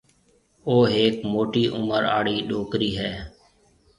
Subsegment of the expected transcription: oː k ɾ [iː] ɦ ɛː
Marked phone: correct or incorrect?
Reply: correct